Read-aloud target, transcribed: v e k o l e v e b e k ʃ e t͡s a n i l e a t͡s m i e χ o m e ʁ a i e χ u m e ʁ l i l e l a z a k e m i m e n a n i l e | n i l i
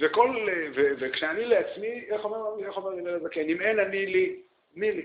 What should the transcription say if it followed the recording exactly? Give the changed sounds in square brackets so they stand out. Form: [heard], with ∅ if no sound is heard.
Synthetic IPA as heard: v e k o l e v e [v] e k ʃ e [∅] a n i l e a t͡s m i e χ o m e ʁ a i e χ [o] m e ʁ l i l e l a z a k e [n] i m e n a n i l [i] | n i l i